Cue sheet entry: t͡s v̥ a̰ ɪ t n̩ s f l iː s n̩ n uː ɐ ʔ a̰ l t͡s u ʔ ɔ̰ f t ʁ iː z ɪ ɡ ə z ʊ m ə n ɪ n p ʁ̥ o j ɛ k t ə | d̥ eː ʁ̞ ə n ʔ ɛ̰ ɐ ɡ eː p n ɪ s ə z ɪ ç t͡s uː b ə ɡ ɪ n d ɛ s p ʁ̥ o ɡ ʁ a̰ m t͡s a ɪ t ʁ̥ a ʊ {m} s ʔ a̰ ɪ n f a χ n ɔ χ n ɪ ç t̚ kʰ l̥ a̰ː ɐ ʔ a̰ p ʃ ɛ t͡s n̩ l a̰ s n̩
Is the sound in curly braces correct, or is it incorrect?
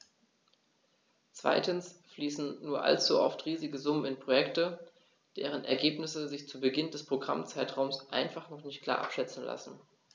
correct